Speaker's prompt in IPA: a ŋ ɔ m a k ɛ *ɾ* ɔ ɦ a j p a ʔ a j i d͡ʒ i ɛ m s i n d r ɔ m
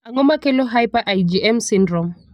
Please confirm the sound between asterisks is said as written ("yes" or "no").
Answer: no